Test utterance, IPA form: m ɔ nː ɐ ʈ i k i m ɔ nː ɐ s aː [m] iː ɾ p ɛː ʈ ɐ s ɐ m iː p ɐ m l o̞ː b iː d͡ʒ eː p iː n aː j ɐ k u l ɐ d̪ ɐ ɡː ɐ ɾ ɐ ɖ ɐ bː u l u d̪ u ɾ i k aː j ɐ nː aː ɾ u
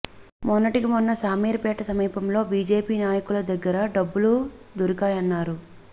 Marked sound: correct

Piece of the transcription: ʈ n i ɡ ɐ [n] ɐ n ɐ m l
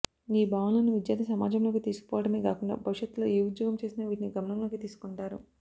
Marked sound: incorrect: m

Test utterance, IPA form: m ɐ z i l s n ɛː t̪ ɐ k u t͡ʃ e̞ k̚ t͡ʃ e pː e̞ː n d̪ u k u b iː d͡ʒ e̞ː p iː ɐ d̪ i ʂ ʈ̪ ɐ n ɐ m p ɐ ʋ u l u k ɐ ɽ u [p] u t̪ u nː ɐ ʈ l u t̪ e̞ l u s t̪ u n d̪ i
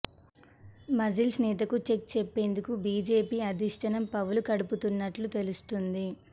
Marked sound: correct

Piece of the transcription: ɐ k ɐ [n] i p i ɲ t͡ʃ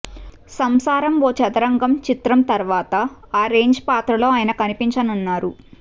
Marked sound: correct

